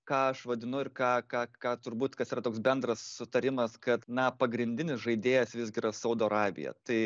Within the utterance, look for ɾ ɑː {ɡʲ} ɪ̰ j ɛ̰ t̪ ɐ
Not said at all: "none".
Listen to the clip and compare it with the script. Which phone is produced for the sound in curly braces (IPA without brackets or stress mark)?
bʲ